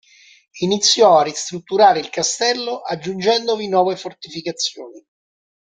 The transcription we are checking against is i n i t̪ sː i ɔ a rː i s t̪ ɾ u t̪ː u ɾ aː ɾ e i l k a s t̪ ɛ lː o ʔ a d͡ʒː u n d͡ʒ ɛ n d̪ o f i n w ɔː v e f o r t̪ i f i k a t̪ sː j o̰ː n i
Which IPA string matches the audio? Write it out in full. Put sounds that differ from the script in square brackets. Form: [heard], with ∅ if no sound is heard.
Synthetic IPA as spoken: i n i t̪ sː [j] ɔ a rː i s t̪ ɾ u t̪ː u ɾ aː ɾ e i l k a s t̪ ɛ lː o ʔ a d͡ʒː u n d͡ʒ ɛ n d̪ o [v] i n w ɔː v e f o r t̪ i f i k a t̪ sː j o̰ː n i